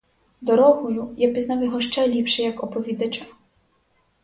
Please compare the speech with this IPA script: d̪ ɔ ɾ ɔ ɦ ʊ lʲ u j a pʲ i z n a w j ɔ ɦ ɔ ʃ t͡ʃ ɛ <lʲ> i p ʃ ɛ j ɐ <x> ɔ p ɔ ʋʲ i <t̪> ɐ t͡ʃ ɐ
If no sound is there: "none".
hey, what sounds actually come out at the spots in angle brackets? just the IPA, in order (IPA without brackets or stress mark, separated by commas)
lʲ, k, d̪